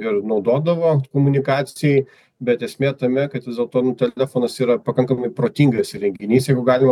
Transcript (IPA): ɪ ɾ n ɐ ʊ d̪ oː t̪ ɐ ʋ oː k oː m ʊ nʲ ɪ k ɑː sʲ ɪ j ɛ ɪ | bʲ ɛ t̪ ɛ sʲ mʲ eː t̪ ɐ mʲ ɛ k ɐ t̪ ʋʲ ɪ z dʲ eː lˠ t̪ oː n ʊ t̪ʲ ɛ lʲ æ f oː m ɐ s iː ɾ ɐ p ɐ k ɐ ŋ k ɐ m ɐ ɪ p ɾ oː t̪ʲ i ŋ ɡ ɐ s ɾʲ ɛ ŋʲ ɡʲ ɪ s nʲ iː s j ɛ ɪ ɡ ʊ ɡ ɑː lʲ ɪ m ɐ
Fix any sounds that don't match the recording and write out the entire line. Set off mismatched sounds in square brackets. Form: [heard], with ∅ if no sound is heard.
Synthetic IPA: ɪ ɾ n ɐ ʊ d̪ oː [d̪] ɐ ʋ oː k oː m ʊ nʲ ɪ k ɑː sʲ ɪ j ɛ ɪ | bʲ ɛ t̪ ɛ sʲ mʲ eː t̪ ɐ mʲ ɛ k ɐ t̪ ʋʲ ɪ z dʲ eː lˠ t̪ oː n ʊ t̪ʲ ɛ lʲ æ f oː [n] ɐ s iː ɾ ɐ p ɐ k ɐ ŋ k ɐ m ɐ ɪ p ɾ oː t̪ʲ i ŋ ɡ ɐ s ɾʲ ɛ ŋʲ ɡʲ ɪ [∅] nʲ iː s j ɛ ɪ ɡ ʊ ɡ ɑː lʲ ɪ m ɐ

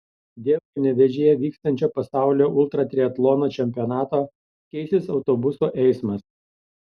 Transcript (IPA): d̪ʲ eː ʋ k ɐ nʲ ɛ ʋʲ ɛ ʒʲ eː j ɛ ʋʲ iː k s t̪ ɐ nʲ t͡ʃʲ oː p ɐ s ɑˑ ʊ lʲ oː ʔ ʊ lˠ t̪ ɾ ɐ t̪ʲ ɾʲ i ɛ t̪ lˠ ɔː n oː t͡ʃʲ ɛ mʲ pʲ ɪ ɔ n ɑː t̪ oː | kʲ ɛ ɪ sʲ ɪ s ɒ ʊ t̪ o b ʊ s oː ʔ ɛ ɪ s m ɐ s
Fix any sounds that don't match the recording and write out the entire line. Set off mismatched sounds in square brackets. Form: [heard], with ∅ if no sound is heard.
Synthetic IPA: d̪ʲ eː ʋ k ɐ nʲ ɛ ʋʲ ɛ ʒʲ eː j ɛ ʋʲ iː k s t̪ ɐ nʲ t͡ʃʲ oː p ɐ s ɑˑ ʊ lʲ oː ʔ ʊ lˠ t̪ ɾ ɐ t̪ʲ ɾʲ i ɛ t̪ lˠ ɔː n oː t͡ʃʲ ɛ mʲ pʲ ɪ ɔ n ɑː t̪ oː | kʲ ɛ ɪ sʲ ɪ s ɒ ʊ t̪ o b ʊ s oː ʔ ɛ ɪ s m ɐ s

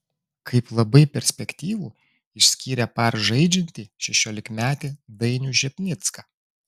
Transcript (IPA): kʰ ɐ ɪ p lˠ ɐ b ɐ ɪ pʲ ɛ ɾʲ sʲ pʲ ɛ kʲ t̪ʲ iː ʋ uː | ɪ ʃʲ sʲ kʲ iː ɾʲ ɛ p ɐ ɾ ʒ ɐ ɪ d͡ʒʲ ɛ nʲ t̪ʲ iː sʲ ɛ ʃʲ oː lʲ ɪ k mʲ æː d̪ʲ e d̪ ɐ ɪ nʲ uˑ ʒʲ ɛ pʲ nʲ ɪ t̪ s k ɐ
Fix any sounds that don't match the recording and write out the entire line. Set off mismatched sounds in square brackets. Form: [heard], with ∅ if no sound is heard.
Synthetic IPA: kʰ ɐ ɪ p lˠ ɐ b ɐ ɪ pʲ ɛ ɾʲ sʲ pʲ ɛ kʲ t̪ʲ iː ʋ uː | ɪ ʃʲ sʲ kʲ iː ɾʲ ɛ p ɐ ɾ ʒ ɐ ɪ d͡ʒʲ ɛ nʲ t̪ʲ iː [ʃʲ] ɛ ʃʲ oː lʲ ɪ k mʲ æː [t̪ʲ] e d̪ ɐ ɪ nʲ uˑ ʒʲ ɛ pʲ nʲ ɪ t̪ s k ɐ

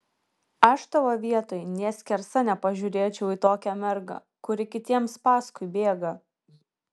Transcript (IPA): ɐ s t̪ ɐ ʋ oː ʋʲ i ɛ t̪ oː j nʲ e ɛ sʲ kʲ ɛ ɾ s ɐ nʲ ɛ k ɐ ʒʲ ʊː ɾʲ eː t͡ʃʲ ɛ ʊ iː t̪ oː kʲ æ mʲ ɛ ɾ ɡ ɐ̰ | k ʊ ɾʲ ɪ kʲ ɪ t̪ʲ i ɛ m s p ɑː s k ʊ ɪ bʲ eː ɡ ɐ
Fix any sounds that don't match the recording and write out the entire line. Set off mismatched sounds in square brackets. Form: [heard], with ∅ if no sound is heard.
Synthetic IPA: ɐ [ʃ] t̪ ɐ ʋ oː ʋʲ i ɛ t̪ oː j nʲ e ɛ sʲ kʲ ɛ ɾ s ɐ nʲ ɛ [p] ɐ ʒʲ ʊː ɾʲ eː t͡ʃʲ ɛ ʊ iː t̪ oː kʲ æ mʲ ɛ ɾ ɡ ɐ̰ | k ʊ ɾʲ ɪ kʲ ɪ t̪ʲ i ɛ m s p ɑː s k ʊ ɪ bʲ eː ɡ ɐ

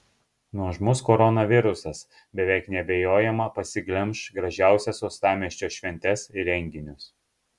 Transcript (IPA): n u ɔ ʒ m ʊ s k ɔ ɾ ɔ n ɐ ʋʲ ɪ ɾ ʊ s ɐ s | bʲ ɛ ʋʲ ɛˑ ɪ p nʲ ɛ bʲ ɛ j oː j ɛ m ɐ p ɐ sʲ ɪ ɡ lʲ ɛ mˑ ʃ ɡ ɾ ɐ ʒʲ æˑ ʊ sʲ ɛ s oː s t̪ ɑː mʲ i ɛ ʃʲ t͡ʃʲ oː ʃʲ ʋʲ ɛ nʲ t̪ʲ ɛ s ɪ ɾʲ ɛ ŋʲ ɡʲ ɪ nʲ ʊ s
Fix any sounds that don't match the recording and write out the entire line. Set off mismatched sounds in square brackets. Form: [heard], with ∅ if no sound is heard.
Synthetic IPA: n u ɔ ʒ m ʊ s k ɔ ɾ ɔ n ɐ ʋʲ ɪ ɾ ʊ s ɐ s | bʲ ɛ ʋʲ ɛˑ ɪ [k] nʲ ɛ bʲ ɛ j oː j ɛ m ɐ p ɐ sʲ ɪ ɡ lʲ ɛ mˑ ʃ ɡ ɾ ɐ ʒʲ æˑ ʊ sʲ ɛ s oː s t̪ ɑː mʲ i ɛ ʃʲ t͡ʃʲ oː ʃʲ ʋʲ ɛ nʲ t̪ʲ ɛ s ɪ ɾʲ ɛ ŋʲ ɡʲ ɪ nʲ ʊ s

